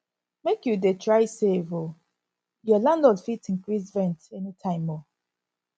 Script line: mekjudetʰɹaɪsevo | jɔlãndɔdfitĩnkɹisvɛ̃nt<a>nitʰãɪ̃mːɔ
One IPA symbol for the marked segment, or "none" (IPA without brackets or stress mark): ɛ